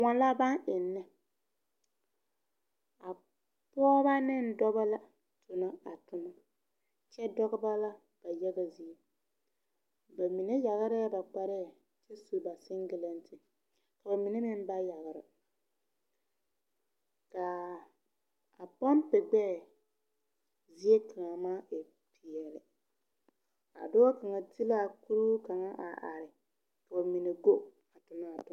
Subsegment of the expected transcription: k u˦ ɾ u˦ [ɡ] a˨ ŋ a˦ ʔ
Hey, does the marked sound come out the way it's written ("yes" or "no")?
no